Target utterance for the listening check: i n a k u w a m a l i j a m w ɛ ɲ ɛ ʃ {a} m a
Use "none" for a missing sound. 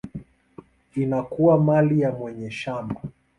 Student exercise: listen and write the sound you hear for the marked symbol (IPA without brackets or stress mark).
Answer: a